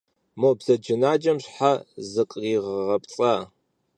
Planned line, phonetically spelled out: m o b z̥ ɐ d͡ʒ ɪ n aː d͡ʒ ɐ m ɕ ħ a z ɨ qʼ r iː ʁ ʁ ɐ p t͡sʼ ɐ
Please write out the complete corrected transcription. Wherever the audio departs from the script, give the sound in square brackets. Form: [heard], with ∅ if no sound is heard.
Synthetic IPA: m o b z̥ ɐ d͡ʒ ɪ n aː d͡ʒ ɐ m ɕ ħ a z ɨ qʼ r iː ʁ ʁ ɐ p t͡sʼ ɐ